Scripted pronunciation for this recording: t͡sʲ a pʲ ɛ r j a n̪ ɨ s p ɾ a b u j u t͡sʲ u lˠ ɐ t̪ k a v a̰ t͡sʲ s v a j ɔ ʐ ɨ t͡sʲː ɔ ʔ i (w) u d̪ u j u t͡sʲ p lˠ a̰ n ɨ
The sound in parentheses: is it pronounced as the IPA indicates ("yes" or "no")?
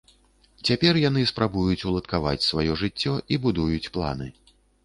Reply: no